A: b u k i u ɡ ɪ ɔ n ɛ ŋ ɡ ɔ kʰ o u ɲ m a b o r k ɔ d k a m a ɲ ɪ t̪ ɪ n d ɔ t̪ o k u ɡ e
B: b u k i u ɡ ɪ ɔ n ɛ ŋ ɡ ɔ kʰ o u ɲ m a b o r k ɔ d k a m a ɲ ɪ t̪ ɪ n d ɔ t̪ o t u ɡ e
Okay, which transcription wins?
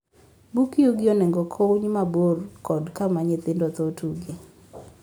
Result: B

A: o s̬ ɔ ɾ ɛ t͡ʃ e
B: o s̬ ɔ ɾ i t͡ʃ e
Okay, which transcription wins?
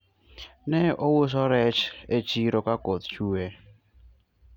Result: A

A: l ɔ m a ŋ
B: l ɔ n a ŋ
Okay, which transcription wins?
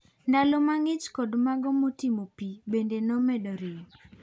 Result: A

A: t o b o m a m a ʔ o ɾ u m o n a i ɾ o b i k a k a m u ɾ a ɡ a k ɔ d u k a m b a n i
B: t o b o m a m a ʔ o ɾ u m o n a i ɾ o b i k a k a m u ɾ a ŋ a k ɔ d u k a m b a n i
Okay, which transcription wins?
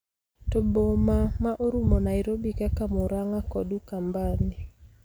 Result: B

